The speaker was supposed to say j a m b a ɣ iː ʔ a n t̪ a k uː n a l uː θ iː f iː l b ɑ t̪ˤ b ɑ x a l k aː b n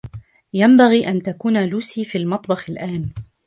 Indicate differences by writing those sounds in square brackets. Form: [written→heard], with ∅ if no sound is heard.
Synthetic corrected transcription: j a m b a ɣ iː ʔ a n t̪ a k uː n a l uː [θ→s] iː f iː l [b→m] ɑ t̪ˤ b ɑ x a l [k→ʔ] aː [b→∅] n

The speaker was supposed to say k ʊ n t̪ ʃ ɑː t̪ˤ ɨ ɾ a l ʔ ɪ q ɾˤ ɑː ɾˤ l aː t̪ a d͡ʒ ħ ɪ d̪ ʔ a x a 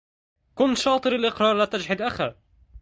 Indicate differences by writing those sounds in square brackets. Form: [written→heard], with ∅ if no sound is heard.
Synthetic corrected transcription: k ʊ n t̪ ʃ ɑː t̪ˤ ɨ ɾ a l ʔ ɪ q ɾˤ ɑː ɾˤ l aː t̪ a d͡ʒ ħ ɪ d̪ ʔ a x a

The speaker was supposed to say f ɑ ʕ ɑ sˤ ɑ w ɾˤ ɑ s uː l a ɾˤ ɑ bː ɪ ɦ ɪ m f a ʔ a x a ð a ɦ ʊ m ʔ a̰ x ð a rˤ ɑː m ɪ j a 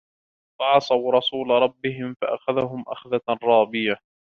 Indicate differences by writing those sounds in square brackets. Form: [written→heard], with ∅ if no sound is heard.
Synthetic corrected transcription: f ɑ ʕ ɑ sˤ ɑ w ɾˤ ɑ s uː l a ɾˤ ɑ bː ɪ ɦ ɪ m f a ʔ a x a ð a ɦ ʊ m ʔ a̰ x ð a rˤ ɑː [m→b] ɪ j a

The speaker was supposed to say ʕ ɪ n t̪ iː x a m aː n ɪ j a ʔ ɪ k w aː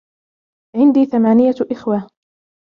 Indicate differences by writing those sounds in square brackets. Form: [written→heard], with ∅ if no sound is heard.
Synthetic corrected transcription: ʕ ɪ n [t̪→d̪] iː [x→θ] a m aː n ɪ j a ʔ ɪ [k→x] w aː

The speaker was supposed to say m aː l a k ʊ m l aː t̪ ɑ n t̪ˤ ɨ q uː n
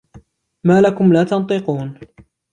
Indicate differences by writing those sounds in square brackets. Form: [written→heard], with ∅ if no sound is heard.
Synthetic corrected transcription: m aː l a k ʊ m l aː t̪ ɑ n t̪ˤ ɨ q uː n

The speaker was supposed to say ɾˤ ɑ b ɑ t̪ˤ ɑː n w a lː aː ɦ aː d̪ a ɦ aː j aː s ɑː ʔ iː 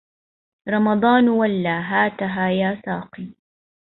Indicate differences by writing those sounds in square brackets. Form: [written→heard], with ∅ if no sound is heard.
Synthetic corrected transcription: ɾˤ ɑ [b→m] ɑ [t̪ˤ→d̪ˤ] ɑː n w a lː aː ɦ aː [d̪→t̪] a ɦ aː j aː s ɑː [ʔ→q] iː

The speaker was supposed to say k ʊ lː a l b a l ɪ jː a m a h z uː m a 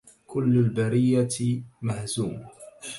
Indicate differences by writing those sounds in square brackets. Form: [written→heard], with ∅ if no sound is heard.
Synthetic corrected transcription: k ʊ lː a l b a [l→ɾ] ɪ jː a m a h z uː m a

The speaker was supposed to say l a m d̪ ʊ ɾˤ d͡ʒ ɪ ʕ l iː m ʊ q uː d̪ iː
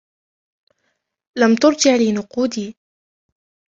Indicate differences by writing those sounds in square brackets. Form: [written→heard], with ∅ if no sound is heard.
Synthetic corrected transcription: l a m [d̪→t̪] ʊ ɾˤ d͡ʒ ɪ ʕ l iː [m→n] ʊ q uː d̪ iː

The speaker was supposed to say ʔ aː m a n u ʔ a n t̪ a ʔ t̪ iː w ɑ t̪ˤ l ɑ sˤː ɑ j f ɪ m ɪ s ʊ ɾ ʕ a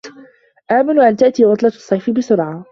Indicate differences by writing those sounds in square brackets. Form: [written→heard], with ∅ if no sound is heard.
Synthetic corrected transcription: ʔ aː m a n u ʔ a n t̪ a ʔ t̪ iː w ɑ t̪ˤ l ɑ sˤː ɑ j f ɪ [m→b] ɪ s ʊ ɾ ʕ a

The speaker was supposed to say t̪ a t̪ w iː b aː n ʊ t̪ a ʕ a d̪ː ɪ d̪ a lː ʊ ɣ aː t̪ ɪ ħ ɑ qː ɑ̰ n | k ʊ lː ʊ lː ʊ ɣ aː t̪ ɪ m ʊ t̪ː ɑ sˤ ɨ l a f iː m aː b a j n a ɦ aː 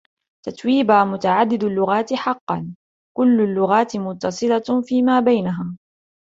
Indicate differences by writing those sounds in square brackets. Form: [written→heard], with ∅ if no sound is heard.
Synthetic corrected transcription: t̪ a t̪ w iː b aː [n→m] ʊ t̪ a ʕ a d̪ː ɪ d̪ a lː ʊ ɣ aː t̪ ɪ ħ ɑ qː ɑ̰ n | k ʊ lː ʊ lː ʊ ɣ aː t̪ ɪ m ʊ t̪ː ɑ sˤ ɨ l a f iː m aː b a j n a ɦ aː

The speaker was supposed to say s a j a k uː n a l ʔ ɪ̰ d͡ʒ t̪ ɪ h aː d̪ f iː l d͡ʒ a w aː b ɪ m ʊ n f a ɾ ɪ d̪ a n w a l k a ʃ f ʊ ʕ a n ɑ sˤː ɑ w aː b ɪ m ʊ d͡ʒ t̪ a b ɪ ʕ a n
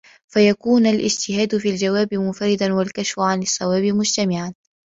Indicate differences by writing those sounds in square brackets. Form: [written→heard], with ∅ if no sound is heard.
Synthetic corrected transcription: [s→f] a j a k uː n a l ʔ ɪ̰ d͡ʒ t̪ ɪ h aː d̪ f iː l d͡ʒ a w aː b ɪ m ʊ n f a ɾ ɪ d̪ a n w a l k a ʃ f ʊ ʕ a n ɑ sˤː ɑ w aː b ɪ m ʊ d͡ʒ t̪ a [b→m] ɪ ʕ a n

